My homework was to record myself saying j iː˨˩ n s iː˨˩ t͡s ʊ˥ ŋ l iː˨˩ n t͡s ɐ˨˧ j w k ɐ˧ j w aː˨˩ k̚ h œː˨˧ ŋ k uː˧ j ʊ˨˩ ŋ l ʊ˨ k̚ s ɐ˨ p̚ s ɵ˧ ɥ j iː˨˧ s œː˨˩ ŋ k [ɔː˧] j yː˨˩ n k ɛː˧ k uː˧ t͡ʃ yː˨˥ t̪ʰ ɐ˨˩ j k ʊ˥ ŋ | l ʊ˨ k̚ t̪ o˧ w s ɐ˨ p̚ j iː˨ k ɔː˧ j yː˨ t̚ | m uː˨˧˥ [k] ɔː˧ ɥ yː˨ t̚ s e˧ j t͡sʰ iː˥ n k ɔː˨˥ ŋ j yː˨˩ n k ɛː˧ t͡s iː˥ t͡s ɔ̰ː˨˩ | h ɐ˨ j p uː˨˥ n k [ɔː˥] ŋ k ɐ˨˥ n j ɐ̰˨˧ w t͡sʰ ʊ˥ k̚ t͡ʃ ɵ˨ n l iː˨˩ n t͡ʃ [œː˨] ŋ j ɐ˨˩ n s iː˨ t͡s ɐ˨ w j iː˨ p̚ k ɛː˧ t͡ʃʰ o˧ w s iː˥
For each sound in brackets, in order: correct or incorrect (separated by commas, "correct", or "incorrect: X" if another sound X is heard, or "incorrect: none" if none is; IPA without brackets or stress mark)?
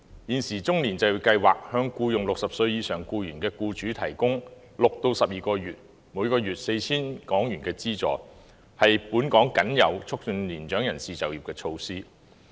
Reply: incorrect: uː˧, correct, incorrect: ɔː˨˥, incorrect: œː˨˥